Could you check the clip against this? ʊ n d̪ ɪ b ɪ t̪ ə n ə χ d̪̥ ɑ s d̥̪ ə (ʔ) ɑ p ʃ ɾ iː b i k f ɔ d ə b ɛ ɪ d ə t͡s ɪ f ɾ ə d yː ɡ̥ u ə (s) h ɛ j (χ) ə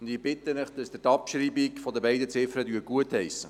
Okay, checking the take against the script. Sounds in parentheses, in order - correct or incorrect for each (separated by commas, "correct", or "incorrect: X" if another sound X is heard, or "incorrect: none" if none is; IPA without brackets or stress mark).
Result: incorrect: t, incorrect: t, incorrect: s